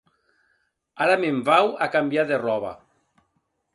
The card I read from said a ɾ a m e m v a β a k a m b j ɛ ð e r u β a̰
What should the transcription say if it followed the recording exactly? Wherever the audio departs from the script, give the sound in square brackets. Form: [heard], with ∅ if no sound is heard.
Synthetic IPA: a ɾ a m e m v a [w] a k a m b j [a] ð e r [ɔ] β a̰